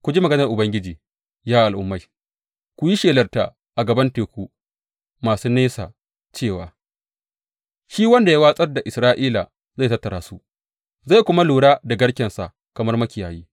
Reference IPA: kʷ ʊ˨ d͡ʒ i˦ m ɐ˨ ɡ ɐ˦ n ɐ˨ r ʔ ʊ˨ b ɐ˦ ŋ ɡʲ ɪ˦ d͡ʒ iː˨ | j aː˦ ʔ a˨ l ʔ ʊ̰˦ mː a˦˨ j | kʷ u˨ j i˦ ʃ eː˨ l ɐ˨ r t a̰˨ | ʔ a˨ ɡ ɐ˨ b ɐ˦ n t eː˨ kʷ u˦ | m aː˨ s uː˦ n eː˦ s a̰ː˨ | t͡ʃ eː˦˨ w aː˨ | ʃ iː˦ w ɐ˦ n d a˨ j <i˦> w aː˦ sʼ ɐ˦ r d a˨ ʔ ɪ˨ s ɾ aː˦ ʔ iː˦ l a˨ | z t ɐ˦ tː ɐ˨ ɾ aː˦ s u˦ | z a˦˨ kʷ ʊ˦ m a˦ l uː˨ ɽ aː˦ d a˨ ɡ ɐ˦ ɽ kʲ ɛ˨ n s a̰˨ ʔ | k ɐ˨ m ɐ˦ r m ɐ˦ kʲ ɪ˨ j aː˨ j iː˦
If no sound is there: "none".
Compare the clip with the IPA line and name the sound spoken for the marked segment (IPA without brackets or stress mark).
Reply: a˦